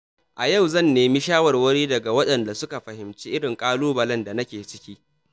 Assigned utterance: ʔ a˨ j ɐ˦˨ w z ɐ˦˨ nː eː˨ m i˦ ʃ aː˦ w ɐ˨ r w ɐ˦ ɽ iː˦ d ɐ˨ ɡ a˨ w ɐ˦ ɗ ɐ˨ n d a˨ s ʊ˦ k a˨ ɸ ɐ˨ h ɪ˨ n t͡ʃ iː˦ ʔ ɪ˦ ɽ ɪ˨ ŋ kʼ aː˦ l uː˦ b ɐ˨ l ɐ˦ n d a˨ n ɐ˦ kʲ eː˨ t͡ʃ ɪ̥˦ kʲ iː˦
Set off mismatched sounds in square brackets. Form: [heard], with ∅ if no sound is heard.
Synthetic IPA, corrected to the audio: ʔ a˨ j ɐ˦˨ w z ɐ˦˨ nː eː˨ m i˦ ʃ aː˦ w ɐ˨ r w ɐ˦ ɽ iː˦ d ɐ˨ ɡ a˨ w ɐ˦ ɗ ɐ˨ n d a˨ s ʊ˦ k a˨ ɸ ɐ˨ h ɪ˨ [m] t͡ʃ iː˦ ʔ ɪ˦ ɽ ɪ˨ ŋ kʼ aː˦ l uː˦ b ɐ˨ l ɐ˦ n d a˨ n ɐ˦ kʲ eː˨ t͡ʃ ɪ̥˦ kʲ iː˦

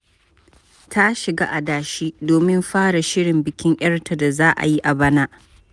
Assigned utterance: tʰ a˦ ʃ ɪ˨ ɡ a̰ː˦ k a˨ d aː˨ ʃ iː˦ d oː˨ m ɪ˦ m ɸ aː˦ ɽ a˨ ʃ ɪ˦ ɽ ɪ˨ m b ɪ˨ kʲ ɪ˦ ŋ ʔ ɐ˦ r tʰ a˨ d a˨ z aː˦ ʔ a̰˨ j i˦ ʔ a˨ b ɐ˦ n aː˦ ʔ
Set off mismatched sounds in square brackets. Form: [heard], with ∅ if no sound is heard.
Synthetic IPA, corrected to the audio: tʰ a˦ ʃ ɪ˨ ɡ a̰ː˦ [ʔ] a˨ d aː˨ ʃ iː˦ d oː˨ m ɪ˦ m ɸ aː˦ ɽ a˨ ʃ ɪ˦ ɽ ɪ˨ m b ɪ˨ kʲ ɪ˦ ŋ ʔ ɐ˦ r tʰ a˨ d a˨ z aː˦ ʔ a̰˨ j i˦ ʔ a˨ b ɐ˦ n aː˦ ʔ

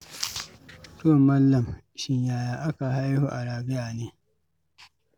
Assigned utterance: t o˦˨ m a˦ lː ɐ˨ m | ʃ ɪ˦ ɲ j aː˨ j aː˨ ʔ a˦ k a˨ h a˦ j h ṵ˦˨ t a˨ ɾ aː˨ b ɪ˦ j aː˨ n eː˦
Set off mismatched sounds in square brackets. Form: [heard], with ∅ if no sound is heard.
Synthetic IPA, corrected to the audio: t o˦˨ m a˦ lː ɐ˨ m | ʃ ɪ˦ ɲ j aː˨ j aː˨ ʔ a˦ k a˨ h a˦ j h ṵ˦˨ [ʔ] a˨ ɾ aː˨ b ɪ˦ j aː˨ n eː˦

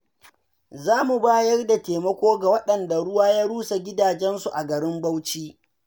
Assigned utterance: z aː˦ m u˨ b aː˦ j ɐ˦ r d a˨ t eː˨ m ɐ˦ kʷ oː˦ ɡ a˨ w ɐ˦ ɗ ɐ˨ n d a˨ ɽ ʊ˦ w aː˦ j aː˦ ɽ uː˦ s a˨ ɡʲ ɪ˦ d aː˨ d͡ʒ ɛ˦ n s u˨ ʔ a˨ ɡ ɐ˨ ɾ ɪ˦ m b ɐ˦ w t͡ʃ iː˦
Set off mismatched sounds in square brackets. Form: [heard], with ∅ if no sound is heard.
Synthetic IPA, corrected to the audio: z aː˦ m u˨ b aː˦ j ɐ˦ r d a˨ t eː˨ m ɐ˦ kʷ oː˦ ɡ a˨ w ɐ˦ ɗ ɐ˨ n d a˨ ɽ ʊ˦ w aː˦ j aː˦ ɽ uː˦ s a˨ ɡʲ ɪ˦ d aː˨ d͡ʒ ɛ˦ n s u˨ ʔ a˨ ɡ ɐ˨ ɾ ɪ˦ m b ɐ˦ w t͡ʃ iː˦

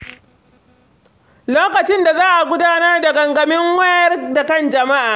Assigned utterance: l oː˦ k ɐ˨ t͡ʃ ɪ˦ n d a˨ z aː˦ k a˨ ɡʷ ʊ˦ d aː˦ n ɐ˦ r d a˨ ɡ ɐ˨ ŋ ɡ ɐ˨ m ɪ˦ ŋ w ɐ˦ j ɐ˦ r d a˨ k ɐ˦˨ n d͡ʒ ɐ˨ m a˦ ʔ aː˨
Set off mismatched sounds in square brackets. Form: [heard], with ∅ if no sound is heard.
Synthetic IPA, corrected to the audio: l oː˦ k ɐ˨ t͡ʃ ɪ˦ n d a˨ z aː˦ [ʔ] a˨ ɡʷ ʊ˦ d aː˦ n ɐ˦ r d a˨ ɡ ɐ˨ ŋ ɡ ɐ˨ m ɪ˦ ŋ w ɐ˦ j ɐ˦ r d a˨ k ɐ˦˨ n d͡ʒ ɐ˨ m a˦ ʔ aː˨

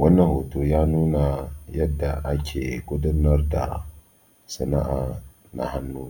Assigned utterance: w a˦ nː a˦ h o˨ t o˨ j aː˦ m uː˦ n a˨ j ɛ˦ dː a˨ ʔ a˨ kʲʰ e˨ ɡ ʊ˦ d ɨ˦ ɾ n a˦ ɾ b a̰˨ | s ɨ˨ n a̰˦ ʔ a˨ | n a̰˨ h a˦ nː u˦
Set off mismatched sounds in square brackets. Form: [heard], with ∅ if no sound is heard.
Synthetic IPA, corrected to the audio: w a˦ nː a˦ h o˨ t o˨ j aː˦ [n] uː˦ n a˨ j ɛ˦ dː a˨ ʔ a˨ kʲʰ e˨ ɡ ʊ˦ d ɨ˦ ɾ n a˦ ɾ [d] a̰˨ | s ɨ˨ n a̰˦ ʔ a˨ | n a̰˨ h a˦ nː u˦

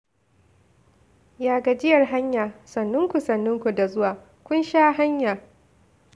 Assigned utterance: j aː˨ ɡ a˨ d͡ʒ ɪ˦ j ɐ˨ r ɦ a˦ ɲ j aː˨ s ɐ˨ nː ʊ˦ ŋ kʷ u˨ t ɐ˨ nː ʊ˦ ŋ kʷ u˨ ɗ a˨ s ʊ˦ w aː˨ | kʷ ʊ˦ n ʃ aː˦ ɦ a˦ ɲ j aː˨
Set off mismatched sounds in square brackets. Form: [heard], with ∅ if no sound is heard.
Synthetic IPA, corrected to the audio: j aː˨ ɡ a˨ d͡ʒ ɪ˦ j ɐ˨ r ɦ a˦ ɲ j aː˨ s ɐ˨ nː ʊ˦ ŋ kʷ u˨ [s] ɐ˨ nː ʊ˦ ŋ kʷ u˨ [d] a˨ [z] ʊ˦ w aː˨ | kʷ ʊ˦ n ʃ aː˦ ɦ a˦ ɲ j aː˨

